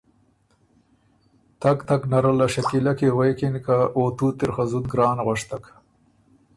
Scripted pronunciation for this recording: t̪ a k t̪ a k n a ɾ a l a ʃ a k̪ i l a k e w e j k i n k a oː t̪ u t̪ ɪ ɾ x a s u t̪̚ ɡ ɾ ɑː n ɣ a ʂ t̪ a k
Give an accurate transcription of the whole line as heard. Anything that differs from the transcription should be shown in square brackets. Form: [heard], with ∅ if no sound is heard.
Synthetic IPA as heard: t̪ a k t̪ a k n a ɾ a l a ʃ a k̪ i l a k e w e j k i n k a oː t̪ u t̪ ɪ ɾ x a [z] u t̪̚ ɡ ɾ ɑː n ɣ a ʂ t̪ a k